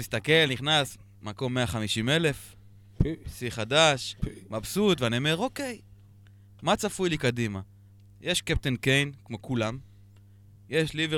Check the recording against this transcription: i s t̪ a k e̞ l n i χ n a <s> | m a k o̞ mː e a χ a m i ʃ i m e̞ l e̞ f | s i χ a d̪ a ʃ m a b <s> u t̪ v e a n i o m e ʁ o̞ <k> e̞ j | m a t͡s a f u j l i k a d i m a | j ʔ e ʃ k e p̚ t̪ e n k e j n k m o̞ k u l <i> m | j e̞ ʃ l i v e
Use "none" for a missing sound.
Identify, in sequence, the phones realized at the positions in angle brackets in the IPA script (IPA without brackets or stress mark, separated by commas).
s, s, k, a